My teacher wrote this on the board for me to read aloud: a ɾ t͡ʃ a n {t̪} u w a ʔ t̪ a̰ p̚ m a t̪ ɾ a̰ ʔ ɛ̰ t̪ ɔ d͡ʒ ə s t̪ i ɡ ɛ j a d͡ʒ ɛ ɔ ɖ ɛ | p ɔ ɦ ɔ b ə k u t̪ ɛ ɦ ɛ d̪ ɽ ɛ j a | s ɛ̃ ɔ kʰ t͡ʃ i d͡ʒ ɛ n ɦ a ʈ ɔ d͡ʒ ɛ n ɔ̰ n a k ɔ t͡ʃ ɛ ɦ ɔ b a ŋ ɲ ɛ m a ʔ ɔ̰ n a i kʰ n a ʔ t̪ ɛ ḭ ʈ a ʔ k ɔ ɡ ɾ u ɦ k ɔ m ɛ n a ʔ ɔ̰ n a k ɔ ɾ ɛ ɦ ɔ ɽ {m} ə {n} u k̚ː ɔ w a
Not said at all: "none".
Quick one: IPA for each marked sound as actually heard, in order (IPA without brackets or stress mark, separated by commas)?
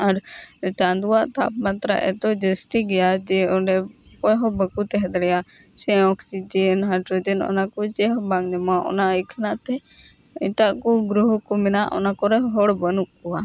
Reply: d̪, b, n